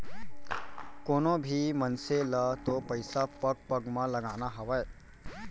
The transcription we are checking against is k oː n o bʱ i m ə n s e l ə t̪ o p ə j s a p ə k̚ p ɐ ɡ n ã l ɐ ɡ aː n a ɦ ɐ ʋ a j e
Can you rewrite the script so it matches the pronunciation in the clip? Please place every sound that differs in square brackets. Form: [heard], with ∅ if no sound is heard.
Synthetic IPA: k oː n o bʱ i m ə n s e l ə t̪ o p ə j s a p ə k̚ p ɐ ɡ [m] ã l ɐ ɡ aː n a ɦ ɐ ʋ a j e

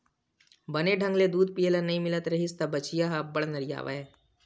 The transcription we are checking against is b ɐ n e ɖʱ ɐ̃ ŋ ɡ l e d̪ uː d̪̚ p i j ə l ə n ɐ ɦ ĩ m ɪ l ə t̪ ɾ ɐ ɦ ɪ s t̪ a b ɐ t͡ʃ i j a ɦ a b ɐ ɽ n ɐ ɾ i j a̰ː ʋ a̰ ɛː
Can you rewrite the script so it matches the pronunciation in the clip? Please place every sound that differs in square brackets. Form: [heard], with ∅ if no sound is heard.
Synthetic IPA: b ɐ n e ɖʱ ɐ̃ ŋ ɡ l e d̪ uː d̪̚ p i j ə l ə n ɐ ɦ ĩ m ɪ l ə t̪ ɾ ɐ ɦ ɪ s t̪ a b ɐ t͡ʃ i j a ɦ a b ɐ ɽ n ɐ ɾ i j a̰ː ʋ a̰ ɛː

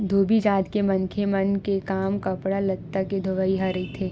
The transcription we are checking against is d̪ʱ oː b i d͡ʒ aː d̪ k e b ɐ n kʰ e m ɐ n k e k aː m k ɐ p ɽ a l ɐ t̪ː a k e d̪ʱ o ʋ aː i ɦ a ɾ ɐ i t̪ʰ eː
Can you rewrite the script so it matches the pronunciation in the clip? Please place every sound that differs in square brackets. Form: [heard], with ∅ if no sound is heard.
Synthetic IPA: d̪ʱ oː b i d͡ʒ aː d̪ k e [m] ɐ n kʰ e m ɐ n k e k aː m k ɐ p ɽ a l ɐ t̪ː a k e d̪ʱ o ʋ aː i ɦ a ɾ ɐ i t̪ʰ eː

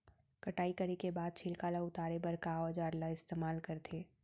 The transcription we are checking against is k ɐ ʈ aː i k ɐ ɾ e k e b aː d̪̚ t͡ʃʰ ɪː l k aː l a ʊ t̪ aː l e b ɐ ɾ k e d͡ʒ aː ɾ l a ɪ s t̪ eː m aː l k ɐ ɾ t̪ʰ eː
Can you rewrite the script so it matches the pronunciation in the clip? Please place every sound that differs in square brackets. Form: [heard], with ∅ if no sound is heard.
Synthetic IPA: k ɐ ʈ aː i k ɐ ɾ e k e b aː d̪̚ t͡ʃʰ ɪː l k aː l a ʊ t̪ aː [ɾ] e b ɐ ɾ k [a] d͡ʒ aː ɾ l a ɪ s t̪ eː m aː l k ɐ ɾ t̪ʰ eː

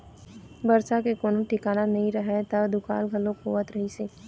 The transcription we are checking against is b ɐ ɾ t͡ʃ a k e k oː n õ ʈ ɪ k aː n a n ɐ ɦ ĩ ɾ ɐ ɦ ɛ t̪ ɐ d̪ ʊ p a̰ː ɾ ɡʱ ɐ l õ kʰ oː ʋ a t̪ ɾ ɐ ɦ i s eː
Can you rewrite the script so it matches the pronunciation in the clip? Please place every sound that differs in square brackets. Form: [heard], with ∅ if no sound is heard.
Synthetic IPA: b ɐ ɾ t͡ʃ a k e k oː n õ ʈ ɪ k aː n a n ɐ ɦ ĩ ɾ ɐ ɦ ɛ t̪ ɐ d̪ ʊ [k] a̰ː [l] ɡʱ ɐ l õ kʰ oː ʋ [ə] t̪ ɾ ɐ ɦ i s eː

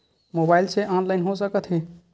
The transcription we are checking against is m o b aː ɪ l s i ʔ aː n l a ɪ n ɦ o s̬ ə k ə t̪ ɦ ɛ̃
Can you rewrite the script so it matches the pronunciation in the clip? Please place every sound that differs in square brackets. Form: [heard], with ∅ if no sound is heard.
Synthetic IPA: m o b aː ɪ l s [e] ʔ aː n l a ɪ n ɦ o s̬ ə k ə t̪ ɦ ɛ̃

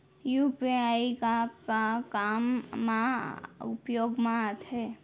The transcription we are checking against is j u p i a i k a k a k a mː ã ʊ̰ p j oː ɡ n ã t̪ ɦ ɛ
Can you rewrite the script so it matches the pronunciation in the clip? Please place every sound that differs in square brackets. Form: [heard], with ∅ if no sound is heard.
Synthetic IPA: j u p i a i k a k a k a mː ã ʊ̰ p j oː ɡ [m] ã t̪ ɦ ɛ

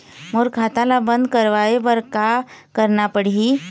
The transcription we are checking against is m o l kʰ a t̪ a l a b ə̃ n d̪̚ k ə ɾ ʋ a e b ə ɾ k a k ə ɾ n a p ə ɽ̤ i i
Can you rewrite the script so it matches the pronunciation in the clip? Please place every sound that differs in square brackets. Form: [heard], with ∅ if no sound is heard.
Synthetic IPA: m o [ɾ] kʰ a t̪ a l a b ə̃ n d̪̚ k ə ɾ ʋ a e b ə ɾ k a k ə ɾ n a p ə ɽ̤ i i

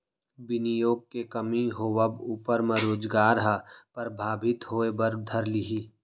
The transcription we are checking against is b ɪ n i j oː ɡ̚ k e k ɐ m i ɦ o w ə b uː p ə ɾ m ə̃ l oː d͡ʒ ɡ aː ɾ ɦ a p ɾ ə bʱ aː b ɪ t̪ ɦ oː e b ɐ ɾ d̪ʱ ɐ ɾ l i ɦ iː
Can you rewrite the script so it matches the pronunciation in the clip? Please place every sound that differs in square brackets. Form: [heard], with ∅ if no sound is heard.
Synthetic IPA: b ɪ n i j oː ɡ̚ k e k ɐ m i ɦ o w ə b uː p ə ɾ m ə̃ [ɾ] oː d͡ʒ ɡ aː ɾ ɦ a p ɾ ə bʱ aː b ɪ t̪ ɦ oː e b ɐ ɾ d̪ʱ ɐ ɾ l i ɦ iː

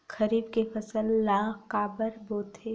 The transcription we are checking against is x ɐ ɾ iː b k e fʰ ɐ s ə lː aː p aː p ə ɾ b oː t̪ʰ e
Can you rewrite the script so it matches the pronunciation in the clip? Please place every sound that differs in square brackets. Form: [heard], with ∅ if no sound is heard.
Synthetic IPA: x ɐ ɾ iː b k e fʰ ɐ s ə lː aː [k] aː [b] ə ɾ b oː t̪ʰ e

